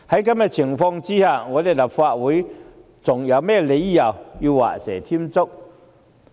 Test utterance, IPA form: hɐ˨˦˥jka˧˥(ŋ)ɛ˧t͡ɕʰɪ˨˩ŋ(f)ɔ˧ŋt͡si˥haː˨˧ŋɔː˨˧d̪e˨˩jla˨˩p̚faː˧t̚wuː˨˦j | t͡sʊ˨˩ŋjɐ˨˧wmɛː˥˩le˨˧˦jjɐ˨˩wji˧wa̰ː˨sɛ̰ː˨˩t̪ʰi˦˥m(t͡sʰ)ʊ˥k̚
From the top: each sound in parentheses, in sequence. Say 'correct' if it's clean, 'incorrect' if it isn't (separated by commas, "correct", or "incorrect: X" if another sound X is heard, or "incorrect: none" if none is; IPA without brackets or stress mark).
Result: incorrect: m, correct, incorrect: t͡s